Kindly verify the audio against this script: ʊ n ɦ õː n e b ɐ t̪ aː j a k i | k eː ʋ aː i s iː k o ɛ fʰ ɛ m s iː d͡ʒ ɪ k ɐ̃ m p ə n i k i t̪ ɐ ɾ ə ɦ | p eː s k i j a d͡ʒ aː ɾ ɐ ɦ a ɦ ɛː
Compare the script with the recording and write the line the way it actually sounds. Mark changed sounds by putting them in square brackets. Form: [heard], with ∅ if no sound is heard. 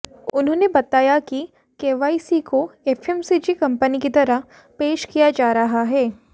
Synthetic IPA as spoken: ʊ n ɦ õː n e b ɐ t̪ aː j a k i | k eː ʋ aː i s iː k o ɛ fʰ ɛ m s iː d͡ʒ [i] k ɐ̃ m p ə n i k i t̪ ɐ ɾ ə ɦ | p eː [ʃ] k i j a d͡ʒ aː ɾ ɐ ɦ a ɦ ɛː